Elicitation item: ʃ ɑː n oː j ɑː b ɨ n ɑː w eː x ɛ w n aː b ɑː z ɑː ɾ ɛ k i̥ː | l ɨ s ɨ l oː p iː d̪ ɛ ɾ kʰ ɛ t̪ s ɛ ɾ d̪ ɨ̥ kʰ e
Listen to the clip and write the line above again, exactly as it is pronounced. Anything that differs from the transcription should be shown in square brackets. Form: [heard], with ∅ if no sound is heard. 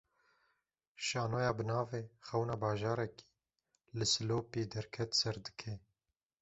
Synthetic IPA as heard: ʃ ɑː n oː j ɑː b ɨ n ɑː [v] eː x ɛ w n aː b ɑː [ʒ] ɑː ɾ ɛ k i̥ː | l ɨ s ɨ l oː p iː d̪ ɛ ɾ kʰ ɛ t̪ s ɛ ɾ d̪ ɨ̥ kʰ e